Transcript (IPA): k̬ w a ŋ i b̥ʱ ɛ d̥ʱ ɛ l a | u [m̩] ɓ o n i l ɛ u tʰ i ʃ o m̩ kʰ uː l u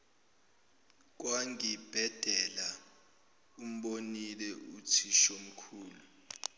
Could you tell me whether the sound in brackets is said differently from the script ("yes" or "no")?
no